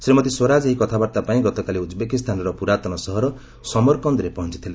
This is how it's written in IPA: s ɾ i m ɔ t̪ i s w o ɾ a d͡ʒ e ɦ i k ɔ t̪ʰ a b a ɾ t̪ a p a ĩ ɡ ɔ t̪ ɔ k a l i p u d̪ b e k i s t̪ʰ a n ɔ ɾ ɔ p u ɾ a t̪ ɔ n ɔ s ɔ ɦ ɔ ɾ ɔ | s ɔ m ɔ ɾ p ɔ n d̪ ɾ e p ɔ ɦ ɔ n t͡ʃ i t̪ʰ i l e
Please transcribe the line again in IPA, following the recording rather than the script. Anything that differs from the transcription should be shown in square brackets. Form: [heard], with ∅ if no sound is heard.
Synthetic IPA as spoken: s ɾ i m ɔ t̪ i s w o ɾ a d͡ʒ e ɦ i k ɔ t̪ʰ a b a ɾ t̪ a p a ĩ ɡ ɔ t̪ ɔ k a l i [∅] u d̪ b e k i s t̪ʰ a n ɔ ɾ ɔ p u ɾ a t̪ ɔ n ɔ s ɔ ɦ ɔ ɾ ɔ | s ɔ m ɔ ɾ [k] ɔ n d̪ ɾ e p ɔ ɦ ɔ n t͡ʃ i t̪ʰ i l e